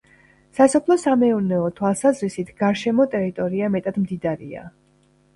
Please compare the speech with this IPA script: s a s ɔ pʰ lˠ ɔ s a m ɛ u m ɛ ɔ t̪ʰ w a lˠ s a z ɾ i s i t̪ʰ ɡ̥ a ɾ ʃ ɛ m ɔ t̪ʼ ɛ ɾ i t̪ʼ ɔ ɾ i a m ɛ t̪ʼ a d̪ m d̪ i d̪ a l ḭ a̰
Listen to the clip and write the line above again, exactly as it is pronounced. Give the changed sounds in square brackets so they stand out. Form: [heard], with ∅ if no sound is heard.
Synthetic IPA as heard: s a s ɔ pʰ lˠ ɔ s a m ɛ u [n] ɛ ɔ t̪ʰ w a lˠ s a z ɾ i s i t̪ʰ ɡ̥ a ɾ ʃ ɛ m ɔ t̪ʼ ɛ ɾ i t̪ʼ ɔ ɾ i a m ɛ t̪ʼ a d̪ m d̪ i d̪ a [ɾ] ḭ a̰